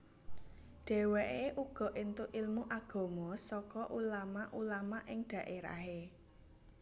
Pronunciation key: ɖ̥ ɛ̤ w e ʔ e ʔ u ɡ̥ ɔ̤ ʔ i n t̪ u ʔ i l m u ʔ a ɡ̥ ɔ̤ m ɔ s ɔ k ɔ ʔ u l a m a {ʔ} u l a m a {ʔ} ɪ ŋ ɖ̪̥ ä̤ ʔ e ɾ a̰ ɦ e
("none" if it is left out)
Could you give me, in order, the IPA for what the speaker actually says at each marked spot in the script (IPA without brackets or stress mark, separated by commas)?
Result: ʔ, ʔ